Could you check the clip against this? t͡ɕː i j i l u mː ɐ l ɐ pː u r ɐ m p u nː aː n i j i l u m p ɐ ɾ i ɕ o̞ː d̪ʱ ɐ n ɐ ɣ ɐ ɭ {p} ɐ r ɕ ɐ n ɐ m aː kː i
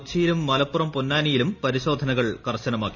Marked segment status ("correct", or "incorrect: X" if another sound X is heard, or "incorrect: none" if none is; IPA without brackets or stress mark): incorrect: k